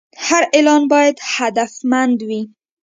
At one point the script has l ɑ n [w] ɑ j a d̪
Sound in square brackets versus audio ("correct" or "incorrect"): incorrect